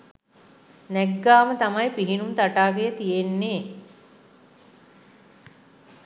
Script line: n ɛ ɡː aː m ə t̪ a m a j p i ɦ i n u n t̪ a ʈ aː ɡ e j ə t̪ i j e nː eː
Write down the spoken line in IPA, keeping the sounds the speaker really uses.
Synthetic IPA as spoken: n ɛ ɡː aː m ə t̪ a m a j p i ɦ i n u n t̪ a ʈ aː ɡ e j ə t̪ i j e nː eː